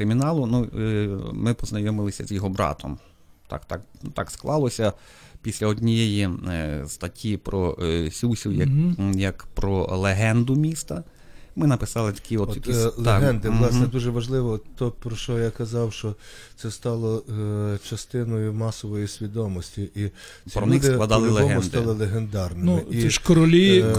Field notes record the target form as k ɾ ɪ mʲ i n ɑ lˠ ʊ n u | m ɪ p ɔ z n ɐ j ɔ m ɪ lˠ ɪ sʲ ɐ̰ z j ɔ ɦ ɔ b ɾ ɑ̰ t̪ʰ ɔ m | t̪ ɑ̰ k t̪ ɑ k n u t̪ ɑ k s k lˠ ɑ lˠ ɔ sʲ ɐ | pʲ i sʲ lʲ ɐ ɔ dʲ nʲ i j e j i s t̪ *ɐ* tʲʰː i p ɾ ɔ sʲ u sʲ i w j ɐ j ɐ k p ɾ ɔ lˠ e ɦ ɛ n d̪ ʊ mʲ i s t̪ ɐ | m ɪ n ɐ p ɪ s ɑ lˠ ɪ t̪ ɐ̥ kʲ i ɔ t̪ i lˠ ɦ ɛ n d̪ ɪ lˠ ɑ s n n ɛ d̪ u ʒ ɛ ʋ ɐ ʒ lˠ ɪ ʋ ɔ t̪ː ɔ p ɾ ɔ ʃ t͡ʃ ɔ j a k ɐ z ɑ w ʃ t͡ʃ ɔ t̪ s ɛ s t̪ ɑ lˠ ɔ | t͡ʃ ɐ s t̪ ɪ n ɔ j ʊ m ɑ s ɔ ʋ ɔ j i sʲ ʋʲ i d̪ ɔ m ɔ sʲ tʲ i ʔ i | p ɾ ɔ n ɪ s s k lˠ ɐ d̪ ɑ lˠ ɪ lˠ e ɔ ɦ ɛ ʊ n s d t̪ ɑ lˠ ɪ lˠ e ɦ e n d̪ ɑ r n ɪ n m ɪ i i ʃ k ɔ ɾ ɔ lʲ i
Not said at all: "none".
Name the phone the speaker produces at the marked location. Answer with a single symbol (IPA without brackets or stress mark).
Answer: ɐ